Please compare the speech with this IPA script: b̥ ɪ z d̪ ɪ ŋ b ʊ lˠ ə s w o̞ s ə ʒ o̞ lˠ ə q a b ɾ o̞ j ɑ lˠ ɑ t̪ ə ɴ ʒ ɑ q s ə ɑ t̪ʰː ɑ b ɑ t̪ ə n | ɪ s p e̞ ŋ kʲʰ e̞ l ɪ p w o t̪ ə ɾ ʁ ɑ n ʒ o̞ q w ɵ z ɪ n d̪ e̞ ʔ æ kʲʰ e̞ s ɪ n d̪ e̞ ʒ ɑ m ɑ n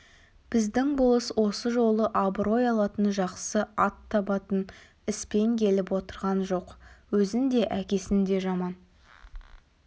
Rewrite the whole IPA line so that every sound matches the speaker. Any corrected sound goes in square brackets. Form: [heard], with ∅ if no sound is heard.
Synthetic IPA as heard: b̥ ɪ z d̪ ɪ ŋ b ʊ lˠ ə s w o̞ s ə ʒ o̞ lˠ ə [ʔ] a b ɾ o̞ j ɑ lˠ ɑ t̪ ə [n] ʒ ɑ q s ə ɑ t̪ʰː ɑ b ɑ t̪ ə n | ɪ s p e̞ ŋ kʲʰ e̞ l ɪ p w o t̪ ə ɾ ʁ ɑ n ʒ o̞ q w ɵ z ɪ n d̪ e̞ ʔ æ [kʲ] e̞ s ɪ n d̪ e̞ ʒ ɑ m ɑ n